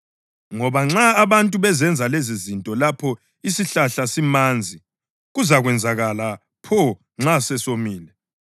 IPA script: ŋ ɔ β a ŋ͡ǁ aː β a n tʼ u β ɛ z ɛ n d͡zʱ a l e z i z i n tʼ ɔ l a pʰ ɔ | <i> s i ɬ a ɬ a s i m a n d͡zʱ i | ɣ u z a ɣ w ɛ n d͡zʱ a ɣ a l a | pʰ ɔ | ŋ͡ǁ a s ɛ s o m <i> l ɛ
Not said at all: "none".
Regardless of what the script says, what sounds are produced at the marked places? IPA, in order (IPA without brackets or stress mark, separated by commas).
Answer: i, iː